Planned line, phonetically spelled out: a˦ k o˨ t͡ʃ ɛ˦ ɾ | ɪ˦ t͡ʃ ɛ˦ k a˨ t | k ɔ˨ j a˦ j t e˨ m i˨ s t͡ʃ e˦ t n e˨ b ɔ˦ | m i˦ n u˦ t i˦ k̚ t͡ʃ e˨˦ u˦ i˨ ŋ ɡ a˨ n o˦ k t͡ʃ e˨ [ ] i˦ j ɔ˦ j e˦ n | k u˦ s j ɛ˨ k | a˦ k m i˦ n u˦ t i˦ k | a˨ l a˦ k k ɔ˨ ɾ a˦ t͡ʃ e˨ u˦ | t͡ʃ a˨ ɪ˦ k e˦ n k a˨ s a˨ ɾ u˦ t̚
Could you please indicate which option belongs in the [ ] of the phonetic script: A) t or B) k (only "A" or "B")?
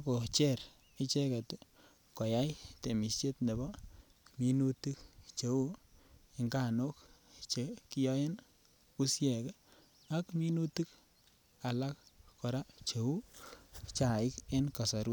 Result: B